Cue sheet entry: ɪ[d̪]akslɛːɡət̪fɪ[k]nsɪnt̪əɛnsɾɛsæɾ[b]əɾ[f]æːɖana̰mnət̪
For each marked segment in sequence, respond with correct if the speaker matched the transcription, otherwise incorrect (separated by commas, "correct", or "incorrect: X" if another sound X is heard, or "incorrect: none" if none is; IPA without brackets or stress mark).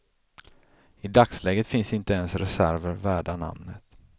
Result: correct, incorrect: none, incorrect: v, incorrect: v